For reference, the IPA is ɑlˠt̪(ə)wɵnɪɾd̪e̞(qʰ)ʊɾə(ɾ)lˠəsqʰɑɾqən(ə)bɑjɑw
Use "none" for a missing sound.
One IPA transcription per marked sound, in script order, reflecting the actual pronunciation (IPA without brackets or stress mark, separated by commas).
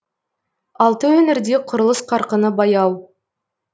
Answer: ə, qʰ, none, ə